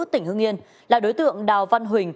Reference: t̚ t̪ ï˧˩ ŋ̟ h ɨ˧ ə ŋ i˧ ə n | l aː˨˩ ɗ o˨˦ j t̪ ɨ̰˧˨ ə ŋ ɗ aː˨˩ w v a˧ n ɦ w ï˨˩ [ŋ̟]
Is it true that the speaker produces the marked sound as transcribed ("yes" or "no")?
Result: yes